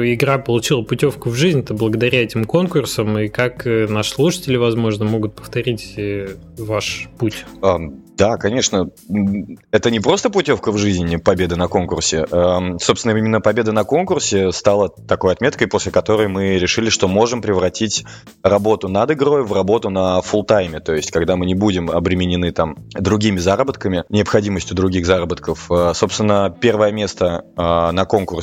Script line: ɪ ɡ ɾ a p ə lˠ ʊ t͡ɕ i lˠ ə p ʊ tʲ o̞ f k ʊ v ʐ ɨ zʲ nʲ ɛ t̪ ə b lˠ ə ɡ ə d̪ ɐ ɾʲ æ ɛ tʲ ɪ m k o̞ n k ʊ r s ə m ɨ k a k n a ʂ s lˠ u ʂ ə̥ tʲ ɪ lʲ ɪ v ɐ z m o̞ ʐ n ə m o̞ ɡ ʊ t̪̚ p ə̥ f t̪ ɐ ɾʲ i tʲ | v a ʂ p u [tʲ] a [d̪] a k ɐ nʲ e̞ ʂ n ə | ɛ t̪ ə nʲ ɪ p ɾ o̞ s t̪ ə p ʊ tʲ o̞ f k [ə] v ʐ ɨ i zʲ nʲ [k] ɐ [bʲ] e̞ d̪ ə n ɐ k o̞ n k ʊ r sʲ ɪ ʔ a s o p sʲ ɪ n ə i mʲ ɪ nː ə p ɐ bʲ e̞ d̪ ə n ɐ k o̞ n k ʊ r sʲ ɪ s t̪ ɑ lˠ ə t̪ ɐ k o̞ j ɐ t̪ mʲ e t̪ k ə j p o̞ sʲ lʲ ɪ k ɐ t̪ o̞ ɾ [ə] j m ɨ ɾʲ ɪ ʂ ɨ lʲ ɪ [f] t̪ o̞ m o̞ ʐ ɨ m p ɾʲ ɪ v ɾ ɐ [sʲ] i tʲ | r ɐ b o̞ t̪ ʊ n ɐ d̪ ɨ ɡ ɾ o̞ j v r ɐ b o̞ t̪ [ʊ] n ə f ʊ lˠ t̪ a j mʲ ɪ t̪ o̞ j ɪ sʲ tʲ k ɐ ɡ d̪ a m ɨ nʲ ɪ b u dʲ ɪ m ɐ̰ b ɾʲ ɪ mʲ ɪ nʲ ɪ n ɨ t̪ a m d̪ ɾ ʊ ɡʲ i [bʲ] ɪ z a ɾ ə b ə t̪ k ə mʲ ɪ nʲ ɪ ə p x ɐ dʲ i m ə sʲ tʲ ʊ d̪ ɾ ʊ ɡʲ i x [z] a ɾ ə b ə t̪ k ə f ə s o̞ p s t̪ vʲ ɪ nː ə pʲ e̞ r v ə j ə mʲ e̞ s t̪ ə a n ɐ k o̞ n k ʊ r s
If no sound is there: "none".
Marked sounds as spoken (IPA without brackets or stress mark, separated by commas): tʲ, d̪, ə, p, bʲ, ə, ʂ, tʲ, ʊ, mʲ, z